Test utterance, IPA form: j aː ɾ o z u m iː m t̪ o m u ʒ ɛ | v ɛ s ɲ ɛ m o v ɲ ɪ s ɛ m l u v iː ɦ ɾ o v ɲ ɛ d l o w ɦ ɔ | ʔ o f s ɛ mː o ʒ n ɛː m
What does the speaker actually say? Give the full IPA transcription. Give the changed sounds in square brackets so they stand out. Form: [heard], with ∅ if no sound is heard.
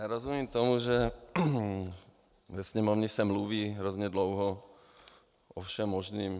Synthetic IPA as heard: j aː ɾ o z u m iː m t̪ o m u ʒ ɛ | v ɛ s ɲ ɛ m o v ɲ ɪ s ɛ m l u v iː ɦ ɾ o [z] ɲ ɛ d l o w ɦ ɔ | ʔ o f [ʃ] ɛ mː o ʒ n [iː] m